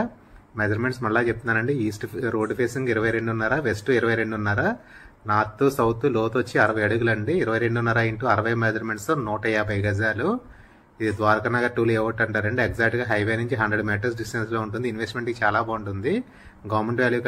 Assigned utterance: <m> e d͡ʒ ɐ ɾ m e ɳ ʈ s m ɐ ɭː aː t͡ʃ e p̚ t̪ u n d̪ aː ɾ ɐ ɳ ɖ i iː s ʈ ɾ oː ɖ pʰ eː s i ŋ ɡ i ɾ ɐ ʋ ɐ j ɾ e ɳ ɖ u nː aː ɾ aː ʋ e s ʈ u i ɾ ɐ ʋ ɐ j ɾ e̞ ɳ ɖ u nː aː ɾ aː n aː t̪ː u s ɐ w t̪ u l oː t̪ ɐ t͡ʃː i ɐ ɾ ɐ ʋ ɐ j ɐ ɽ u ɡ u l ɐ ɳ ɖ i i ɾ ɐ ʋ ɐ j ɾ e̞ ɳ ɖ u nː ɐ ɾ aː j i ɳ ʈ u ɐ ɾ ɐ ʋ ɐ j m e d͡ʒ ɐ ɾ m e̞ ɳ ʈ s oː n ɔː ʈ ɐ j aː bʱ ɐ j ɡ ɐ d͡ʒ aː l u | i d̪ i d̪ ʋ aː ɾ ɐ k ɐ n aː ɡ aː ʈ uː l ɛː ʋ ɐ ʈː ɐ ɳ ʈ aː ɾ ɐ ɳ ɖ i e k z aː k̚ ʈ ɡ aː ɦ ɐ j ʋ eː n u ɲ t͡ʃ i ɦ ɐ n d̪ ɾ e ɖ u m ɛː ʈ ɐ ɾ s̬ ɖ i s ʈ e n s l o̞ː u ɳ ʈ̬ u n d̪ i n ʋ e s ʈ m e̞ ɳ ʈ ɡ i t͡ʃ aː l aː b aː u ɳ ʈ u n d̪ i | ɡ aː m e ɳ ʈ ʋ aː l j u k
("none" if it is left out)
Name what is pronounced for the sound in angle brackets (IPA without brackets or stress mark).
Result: m